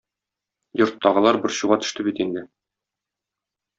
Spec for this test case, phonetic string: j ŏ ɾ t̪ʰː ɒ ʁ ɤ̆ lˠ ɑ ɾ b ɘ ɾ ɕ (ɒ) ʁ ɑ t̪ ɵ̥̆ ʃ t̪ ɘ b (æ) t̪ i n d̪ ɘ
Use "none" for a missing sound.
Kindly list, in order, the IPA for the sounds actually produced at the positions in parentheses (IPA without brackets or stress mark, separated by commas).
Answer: u, i